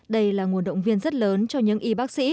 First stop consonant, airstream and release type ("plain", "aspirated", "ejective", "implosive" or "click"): implosive